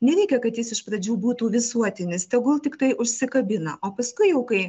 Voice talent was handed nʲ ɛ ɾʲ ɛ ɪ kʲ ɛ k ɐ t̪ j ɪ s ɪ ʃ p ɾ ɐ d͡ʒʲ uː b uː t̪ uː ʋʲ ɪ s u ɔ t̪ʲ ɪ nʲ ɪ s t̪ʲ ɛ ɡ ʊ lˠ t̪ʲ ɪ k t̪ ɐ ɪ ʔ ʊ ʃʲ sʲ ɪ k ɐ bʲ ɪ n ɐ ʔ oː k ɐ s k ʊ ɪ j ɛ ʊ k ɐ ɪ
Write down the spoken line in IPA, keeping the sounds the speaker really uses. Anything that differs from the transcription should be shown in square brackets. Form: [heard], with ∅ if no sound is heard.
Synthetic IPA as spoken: nʲ ɛ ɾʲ ɛ ɪ kʲ ɛ k ɐ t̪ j ɪ s ɪ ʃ p ɾ ɐ d͡ʒʲ uː b uː t̪ uː ʋʲ ɪ s u ɔ t̪ʲ ɪ nʲ ɪ s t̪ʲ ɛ ɡ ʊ lˠ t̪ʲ ɪ k t̪ ɐ ɪ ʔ ʊ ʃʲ sʲ ɪ k ɐ bʲ ɪ n ɐ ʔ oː [p] ɐ s k ʊ ɪ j ɛ ʊ k ɐ ɪ